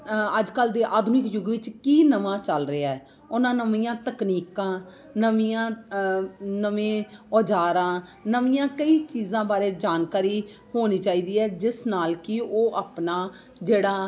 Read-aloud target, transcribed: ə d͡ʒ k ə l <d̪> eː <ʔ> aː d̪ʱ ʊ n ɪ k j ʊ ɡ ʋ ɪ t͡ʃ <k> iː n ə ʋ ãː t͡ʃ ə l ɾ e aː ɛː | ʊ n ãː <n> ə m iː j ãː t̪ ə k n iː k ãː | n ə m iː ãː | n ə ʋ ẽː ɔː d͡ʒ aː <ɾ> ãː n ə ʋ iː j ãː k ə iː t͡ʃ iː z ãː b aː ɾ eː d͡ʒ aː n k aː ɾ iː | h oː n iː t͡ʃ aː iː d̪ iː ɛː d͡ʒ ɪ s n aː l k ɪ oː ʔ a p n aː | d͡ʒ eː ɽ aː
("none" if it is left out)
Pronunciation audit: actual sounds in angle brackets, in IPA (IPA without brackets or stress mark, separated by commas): d̪, ʔ, k, n, ɾ